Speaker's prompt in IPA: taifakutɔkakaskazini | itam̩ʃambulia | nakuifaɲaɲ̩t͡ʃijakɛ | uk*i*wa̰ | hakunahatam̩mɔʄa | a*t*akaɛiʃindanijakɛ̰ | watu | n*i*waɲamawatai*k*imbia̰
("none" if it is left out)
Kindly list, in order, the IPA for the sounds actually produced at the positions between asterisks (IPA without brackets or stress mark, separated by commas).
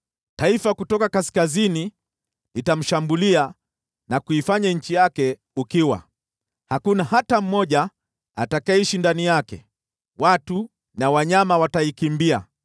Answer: i, t, a, k